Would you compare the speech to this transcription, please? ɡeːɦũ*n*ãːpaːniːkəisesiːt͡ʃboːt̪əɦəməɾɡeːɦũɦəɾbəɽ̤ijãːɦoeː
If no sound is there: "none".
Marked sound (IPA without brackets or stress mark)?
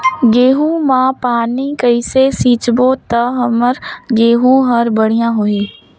m